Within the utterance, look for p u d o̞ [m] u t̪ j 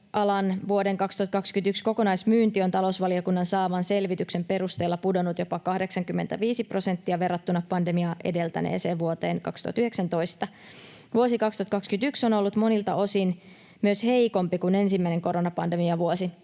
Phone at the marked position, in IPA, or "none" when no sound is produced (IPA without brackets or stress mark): n